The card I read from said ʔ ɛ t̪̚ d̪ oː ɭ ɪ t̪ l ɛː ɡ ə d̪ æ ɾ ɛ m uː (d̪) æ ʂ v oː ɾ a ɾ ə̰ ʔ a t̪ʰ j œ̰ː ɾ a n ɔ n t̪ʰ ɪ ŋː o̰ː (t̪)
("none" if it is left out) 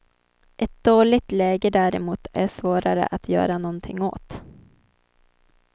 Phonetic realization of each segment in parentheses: t̪, t̪

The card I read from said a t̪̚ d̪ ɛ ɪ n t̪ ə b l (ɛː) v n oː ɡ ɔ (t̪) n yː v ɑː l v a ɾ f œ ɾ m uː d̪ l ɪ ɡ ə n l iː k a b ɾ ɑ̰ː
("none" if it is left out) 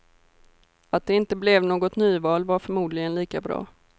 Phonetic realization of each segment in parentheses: ɛ, t̪

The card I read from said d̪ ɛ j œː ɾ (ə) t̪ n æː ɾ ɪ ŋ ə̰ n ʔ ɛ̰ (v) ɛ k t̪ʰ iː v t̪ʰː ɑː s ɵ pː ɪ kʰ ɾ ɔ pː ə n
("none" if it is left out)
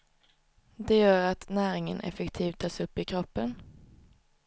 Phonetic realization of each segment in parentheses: a, f

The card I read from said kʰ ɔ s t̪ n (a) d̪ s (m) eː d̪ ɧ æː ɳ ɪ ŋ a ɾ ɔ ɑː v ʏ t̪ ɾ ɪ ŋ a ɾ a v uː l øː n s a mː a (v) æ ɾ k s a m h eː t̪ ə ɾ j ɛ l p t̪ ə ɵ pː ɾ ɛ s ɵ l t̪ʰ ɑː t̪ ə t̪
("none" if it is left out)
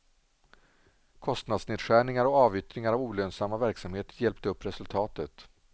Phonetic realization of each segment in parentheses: a, n, v

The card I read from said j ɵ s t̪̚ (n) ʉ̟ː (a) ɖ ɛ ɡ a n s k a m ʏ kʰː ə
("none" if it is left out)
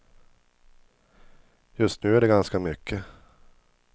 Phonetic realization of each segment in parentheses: n, æ

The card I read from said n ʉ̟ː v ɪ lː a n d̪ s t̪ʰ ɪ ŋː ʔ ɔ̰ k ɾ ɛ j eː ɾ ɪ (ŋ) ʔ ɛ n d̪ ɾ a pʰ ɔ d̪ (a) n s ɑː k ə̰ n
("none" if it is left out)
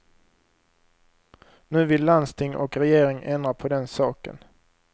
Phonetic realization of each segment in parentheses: ŋ, ɛ

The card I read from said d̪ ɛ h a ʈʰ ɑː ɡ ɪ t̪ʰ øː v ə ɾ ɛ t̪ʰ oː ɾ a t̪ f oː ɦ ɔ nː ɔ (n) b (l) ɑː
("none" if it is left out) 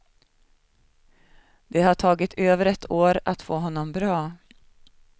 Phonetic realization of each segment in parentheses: m, ɾ

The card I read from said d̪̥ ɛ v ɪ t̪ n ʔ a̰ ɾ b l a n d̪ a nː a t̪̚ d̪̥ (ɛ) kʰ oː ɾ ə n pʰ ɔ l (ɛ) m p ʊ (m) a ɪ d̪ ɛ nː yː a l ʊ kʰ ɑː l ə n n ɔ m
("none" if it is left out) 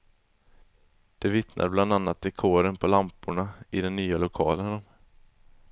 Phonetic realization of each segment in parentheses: ɛ, a, ɳ

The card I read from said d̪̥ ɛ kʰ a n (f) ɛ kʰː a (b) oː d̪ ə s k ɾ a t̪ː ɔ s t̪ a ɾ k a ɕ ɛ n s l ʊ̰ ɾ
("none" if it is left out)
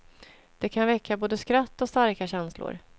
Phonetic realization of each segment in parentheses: v, b

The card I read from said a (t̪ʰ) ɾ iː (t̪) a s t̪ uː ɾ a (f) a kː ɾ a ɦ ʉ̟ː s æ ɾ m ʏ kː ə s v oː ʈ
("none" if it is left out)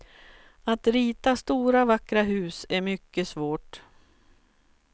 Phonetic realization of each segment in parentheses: t̪, t̪, v

